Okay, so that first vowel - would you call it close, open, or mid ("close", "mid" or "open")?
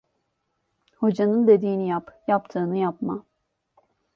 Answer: mid